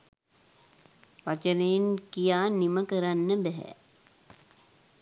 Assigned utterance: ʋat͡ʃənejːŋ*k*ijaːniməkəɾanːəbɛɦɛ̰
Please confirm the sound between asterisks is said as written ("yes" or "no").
yes